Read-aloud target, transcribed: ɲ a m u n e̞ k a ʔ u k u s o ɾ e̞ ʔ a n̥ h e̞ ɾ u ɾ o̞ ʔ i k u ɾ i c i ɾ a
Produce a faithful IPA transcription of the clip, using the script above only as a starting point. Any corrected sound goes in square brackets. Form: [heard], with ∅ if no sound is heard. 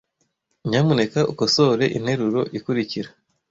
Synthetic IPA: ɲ a m u n e̞ k a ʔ u k [o] s o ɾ e̞ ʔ [i] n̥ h e̞ ɾ u ɾ o̞ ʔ i k u ɾ i c i ɾ a